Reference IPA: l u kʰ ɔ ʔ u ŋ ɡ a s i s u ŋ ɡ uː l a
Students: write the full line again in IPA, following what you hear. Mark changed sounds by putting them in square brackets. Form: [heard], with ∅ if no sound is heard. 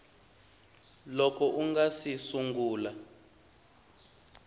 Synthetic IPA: l [ɔ] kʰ ɔ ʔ u ŋ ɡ a s i s u ŋ ɡ uː l a

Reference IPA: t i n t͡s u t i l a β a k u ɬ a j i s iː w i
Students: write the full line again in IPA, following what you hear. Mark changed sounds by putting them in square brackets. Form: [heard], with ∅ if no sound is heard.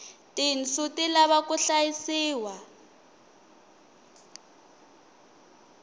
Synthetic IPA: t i n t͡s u t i l a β a k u ɬ a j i s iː w [a]

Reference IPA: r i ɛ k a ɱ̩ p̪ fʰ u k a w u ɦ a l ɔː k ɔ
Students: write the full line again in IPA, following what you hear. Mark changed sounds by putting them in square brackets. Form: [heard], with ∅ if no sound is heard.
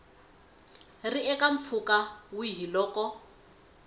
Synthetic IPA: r i ɛ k a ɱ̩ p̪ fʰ u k a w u ɦ [i] l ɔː k ɔ

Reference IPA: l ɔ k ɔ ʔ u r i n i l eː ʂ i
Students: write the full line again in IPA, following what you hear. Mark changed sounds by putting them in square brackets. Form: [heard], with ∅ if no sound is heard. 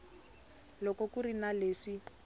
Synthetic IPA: l ɔ k ɔ [k] u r i n [a] l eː ʂ i

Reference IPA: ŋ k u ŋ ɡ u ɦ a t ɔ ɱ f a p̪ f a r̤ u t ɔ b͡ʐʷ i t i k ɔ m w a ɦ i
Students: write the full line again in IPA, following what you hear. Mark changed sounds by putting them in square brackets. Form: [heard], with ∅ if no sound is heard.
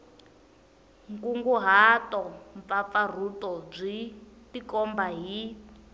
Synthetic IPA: ŋ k u ŋ ɡ u ɦ a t ɔ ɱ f a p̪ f a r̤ u t ɔ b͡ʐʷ i t i k ɔ m [b] a ɦ i

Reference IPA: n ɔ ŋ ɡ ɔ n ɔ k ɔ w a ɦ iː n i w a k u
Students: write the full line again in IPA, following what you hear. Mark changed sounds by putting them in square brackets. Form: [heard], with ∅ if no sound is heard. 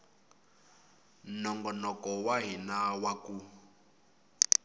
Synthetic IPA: n ɔ ŋ ɡ ɔ n ɔ k ɔ w a ɦ [i] n [a] w a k u

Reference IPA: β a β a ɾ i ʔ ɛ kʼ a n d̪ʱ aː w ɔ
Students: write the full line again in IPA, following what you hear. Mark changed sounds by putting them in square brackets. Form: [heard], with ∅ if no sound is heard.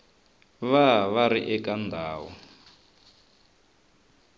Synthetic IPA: β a β a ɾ i ʔ ɛ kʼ a n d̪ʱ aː w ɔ

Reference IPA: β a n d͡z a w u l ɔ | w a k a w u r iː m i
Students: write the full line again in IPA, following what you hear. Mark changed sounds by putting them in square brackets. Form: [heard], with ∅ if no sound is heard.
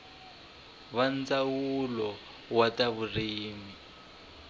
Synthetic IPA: β a n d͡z a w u l ɔ | w a [t] a [β] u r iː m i

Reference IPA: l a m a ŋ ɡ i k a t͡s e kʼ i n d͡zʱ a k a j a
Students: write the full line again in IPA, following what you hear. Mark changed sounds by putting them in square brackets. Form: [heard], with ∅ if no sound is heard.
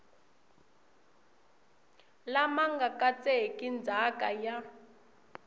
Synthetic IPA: l a m a ŋ ɡ [a] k a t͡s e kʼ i n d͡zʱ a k a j a

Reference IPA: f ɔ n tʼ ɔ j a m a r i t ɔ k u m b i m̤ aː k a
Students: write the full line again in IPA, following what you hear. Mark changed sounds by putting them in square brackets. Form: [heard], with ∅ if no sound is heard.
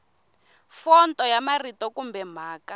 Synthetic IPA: f ɔ n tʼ ɔ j a m a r i t ɔ k u m b [ɛ] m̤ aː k a

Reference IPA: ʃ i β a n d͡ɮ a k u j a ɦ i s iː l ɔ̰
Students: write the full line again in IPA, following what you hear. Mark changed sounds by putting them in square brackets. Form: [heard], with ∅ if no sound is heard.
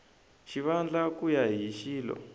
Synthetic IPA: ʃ i β a n d͡ɮ a k u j a ɦ i [ʃ] iː l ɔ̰

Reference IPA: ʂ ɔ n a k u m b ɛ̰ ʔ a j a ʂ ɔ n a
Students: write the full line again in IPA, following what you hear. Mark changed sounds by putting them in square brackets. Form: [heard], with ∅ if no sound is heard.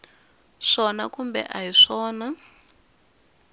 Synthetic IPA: ʂ ɔ n a k u m b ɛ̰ ʔ a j [i] ʂ [ɔː] n a

